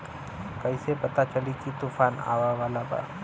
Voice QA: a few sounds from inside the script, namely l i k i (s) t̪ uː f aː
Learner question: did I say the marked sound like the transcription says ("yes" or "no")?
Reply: no